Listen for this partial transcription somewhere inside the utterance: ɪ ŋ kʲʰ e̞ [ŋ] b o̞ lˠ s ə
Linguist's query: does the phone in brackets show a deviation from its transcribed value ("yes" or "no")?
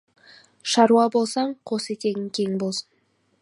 no